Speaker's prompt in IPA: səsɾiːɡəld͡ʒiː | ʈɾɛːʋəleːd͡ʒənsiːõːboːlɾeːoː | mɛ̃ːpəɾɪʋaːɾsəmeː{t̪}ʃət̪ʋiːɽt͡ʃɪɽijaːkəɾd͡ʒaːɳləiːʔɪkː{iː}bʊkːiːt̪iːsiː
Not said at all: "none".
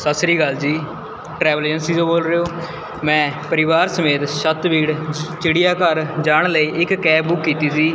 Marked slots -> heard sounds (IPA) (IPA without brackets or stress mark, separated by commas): t̪, ɛː